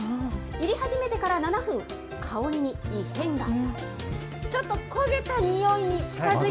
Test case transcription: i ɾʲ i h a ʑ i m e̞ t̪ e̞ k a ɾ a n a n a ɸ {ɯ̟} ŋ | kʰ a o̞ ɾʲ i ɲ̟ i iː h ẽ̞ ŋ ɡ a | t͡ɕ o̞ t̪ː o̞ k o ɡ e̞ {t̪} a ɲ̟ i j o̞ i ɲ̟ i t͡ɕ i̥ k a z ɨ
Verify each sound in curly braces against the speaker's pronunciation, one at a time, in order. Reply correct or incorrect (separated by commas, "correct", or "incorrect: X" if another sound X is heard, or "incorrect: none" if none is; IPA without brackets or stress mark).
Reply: incorrect: ɯ̟̃, correct